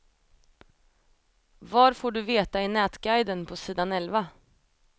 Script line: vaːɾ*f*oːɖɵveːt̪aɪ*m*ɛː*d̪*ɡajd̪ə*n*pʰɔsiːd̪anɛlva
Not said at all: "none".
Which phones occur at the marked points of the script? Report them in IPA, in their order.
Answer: f, n, t̪, n

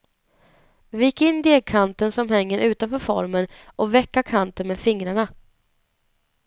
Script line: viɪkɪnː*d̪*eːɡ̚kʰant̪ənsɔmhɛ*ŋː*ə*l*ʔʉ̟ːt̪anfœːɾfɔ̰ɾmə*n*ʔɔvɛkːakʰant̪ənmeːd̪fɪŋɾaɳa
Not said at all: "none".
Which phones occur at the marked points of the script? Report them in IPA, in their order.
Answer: d̪, ŋː, ɾ, n

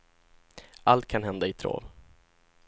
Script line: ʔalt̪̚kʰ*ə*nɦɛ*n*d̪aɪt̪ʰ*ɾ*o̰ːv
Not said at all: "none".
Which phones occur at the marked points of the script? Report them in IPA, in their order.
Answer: a, n, ɾ

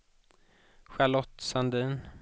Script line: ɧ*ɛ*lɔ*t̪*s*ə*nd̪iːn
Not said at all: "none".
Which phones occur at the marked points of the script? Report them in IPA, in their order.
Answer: a, t̪, a

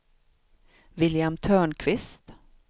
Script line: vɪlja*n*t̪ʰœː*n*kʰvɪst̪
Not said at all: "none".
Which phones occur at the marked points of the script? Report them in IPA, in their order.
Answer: m, ɳ

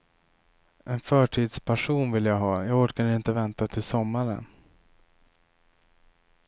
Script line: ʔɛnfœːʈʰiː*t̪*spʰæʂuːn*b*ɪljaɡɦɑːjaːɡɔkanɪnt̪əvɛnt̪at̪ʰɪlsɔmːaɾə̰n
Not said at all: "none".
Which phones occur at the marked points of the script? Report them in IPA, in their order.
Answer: d̪, v

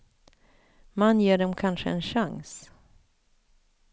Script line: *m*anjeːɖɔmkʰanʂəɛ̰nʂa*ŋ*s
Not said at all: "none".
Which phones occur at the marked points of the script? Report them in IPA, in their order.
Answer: m, ŋ

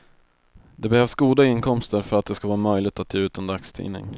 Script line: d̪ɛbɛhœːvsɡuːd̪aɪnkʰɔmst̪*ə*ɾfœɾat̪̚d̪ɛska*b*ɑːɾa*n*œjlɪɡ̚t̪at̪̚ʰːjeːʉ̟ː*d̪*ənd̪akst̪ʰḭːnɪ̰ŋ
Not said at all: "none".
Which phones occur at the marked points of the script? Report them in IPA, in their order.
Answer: ə, v, m, t̪

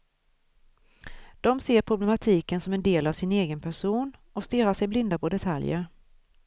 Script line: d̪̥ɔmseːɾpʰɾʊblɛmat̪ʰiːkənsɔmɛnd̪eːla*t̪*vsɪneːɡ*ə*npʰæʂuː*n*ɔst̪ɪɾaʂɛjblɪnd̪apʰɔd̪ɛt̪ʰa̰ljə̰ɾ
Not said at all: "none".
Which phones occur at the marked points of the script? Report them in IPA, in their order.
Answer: none, ə, n

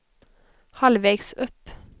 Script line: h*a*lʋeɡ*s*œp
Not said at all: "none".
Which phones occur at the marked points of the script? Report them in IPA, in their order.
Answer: ɑ, s

